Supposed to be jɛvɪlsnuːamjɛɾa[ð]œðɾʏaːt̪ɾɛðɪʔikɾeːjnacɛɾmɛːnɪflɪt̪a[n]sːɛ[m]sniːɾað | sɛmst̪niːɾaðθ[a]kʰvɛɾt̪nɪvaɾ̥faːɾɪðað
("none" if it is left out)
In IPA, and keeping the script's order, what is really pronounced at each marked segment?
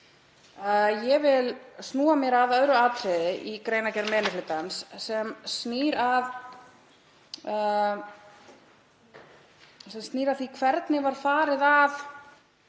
ð, n, m, i

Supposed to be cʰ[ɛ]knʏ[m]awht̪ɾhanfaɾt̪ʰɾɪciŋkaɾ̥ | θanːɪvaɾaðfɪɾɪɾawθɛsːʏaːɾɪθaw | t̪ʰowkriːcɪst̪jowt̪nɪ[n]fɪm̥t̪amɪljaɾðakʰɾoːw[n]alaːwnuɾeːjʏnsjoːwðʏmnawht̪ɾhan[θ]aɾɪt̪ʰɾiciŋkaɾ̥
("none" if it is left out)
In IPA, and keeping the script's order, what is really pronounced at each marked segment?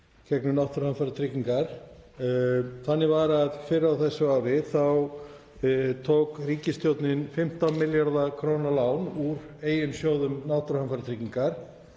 ɛ, n, n, n, f

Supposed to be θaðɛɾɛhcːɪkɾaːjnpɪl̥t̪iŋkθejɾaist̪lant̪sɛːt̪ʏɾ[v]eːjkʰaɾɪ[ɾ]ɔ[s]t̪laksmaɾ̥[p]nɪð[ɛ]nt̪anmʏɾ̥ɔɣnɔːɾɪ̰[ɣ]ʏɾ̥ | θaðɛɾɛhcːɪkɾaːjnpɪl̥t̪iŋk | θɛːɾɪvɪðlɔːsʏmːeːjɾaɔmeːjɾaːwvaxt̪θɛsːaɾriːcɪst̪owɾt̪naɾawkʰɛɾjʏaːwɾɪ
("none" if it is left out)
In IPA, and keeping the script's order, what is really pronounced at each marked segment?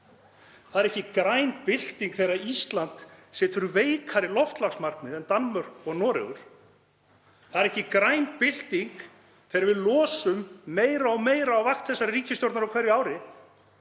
v, l, f, k, ɛ, ɣ

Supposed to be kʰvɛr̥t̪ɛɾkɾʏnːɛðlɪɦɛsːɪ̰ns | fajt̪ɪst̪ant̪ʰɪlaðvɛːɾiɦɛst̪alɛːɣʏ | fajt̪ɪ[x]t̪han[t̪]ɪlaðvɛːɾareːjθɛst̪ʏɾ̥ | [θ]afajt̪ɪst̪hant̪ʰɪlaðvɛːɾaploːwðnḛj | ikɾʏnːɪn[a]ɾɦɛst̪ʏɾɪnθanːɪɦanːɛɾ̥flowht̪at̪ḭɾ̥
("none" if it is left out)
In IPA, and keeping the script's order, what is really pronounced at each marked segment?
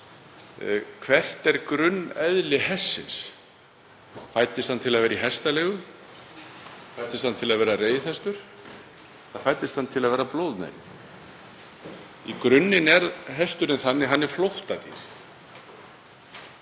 s, t̪ʰ, θ, ɛ

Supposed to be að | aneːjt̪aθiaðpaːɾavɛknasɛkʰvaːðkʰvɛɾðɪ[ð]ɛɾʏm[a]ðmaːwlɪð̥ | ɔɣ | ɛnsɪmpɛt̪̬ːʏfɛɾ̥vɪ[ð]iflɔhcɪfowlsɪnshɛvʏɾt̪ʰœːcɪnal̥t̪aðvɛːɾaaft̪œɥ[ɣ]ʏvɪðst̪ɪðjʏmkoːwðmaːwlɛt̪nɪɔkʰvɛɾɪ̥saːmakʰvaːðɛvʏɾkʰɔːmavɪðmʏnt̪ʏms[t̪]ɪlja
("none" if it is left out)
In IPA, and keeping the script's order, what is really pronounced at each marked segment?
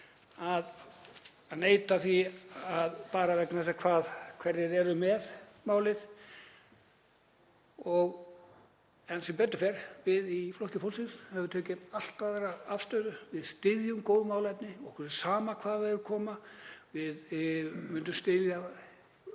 ð, ɛ, ð, ð, t̪

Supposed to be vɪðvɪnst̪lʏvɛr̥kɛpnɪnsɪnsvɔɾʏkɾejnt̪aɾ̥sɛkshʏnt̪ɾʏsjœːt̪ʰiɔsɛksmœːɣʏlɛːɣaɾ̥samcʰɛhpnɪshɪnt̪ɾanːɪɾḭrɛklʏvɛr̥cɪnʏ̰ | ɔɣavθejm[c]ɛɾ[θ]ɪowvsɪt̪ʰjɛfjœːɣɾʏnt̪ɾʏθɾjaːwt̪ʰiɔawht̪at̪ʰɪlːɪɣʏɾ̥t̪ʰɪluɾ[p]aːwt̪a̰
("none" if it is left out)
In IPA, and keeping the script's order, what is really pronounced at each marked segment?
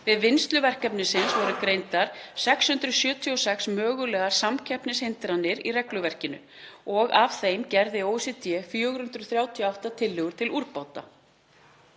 c, ð, p

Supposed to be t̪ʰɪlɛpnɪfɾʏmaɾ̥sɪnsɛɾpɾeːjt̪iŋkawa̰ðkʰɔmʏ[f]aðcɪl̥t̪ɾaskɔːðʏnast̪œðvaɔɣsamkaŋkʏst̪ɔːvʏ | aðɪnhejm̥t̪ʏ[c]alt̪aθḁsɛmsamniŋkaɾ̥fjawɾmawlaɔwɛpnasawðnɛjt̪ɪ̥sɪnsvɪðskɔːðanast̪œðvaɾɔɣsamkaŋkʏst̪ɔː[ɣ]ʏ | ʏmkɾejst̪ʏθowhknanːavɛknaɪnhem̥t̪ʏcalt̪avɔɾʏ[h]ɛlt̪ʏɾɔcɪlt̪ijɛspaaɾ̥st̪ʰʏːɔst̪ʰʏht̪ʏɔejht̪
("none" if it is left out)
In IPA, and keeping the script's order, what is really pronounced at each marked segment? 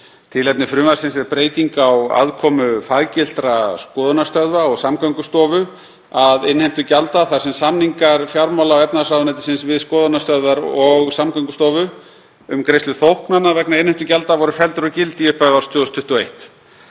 f, c, v, f

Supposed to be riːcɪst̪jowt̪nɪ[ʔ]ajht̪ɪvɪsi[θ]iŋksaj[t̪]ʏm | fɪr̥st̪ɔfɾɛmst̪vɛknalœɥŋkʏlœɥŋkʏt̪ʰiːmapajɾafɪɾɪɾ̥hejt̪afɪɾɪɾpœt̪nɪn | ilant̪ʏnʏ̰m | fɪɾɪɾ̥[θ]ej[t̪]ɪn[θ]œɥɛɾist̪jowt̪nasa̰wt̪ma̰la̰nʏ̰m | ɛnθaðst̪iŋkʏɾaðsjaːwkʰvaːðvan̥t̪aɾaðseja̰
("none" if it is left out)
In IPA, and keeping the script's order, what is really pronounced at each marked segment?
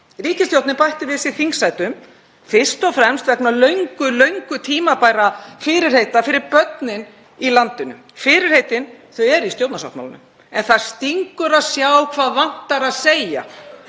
p, θ, t̪, h, t̪, θ

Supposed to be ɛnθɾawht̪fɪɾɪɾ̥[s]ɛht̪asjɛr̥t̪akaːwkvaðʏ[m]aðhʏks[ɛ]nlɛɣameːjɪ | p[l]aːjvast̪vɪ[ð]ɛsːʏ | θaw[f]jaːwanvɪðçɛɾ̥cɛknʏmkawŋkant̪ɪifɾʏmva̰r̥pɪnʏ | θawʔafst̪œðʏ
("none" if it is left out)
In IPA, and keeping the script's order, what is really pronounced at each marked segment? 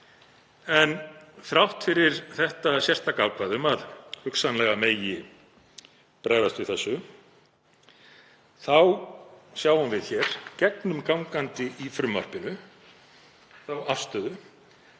θ, m, a, ɾ, θ, s

